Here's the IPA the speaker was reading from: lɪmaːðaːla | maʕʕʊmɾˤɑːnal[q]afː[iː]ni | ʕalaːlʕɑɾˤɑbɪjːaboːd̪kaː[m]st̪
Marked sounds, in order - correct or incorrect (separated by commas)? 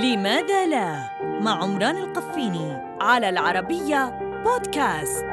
correct, correct, incorrect